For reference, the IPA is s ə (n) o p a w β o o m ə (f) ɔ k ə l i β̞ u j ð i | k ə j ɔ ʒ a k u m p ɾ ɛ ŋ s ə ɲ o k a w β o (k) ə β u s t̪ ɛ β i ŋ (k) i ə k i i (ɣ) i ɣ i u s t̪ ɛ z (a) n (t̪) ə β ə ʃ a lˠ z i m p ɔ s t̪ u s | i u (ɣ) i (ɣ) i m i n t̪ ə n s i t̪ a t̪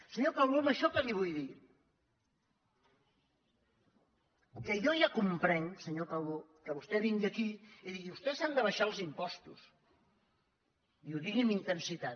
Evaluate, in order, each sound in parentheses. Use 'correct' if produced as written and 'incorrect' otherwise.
incorrect, incorrect, correct, incorrect, incorrect, correct, incorrect, incorrect, correct

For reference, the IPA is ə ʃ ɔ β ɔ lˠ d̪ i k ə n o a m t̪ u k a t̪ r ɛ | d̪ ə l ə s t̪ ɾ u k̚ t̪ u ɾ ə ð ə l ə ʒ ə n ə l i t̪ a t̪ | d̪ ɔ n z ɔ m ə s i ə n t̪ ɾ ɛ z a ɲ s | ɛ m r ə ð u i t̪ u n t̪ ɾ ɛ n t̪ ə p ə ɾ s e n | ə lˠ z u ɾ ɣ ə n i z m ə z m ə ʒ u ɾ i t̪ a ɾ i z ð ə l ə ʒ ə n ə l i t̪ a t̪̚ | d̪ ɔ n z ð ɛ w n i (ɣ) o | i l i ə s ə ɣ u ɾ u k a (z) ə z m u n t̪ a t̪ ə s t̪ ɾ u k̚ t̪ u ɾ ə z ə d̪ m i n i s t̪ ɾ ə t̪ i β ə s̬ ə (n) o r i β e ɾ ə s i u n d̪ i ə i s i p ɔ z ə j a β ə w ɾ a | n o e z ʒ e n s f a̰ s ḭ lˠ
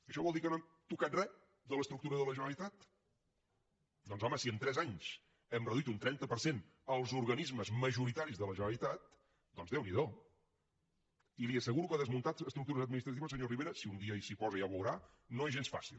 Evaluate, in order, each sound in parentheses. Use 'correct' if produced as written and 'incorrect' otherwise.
incorrect, incorrect, incorrect

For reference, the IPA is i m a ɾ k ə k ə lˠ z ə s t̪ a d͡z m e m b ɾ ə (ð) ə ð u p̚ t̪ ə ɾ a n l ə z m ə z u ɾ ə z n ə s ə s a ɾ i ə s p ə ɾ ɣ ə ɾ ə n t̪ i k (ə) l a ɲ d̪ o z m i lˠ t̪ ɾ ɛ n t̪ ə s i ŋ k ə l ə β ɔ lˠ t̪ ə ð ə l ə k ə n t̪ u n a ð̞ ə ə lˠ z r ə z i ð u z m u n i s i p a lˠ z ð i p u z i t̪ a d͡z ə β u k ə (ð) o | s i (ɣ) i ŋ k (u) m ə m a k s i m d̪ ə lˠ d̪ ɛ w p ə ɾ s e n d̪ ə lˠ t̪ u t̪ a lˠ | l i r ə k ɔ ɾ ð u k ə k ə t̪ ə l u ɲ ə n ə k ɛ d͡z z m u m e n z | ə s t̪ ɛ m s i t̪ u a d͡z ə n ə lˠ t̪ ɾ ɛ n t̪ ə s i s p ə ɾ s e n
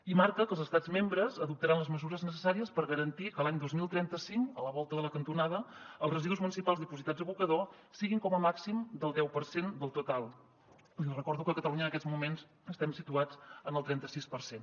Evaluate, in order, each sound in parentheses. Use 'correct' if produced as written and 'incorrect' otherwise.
incorrect, correct, correct, correct, incorrect

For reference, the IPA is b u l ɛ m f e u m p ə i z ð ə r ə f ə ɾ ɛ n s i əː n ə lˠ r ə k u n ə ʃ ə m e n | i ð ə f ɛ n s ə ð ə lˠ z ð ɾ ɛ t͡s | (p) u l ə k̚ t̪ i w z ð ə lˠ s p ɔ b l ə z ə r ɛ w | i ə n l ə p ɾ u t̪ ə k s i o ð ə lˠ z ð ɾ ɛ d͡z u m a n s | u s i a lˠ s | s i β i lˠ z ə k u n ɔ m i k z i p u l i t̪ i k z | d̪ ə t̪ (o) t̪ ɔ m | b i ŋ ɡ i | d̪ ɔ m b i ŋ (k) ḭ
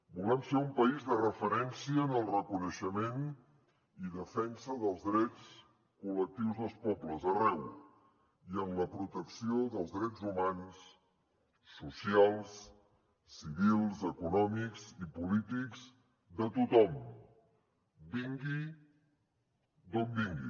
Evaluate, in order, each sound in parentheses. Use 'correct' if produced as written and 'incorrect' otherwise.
incorrect, incorrect, incorrect

